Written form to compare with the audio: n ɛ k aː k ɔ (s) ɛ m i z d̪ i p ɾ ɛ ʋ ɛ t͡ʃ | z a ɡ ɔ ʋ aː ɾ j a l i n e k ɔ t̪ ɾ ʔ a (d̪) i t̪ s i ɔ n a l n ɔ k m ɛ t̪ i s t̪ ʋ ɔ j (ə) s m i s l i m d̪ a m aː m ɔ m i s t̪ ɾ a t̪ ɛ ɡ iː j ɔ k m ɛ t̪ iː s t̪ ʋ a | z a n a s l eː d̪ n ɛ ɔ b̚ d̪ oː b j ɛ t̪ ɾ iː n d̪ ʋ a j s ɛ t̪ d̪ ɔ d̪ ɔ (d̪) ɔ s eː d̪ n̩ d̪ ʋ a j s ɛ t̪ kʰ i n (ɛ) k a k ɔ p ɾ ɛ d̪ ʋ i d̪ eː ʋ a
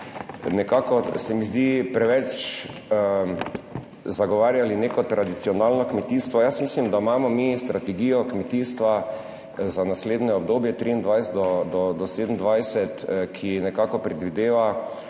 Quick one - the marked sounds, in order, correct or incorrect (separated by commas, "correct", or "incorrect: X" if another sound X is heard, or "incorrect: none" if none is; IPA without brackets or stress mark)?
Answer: correct, correct, incorrect: a, correct, correct